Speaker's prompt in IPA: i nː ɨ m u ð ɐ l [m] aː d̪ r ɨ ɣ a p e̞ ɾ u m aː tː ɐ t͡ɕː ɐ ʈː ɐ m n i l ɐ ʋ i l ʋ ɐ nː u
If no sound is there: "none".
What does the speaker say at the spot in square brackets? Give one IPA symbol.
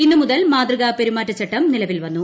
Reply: m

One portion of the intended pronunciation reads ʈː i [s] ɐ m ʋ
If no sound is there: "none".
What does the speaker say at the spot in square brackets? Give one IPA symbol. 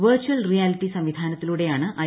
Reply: s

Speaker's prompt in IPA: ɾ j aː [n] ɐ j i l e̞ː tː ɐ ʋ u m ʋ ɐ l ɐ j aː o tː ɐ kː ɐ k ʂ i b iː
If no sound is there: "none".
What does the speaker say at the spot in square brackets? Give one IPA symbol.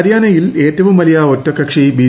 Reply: n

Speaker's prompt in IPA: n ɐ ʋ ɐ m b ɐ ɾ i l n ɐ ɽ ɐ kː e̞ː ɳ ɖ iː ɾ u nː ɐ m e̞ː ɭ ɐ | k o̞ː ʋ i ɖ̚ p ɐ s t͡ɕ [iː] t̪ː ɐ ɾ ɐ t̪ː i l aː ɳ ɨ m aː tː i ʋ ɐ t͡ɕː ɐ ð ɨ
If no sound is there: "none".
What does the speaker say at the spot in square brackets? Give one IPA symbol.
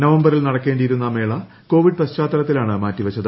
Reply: aː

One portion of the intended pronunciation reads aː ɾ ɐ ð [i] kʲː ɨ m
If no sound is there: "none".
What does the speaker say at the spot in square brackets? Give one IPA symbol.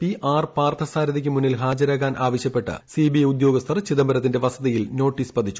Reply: i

